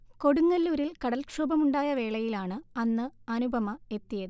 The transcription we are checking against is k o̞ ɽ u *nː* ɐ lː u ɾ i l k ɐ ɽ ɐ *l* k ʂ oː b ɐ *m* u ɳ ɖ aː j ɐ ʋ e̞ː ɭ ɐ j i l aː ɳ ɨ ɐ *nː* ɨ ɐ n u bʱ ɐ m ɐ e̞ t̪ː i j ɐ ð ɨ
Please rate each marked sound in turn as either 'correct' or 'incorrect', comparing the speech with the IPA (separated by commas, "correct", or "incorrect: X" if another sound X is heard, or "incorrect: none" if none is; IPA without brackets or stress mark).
incorrect: ŋː, correct, correct, correct